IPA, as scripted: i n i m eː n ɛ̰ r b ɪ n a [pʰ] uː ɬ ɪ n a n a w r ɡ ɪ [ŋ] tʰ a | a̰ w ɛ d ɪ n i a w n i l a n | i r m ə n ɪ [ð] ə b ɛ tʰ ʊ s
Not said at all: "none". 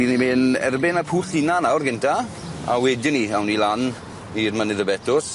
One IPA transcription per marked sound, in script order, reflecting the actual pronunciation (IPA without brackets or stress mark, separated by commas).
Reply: pʰ, n, ð